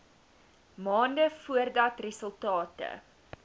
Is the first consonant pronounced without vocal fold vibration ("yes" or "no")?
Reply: no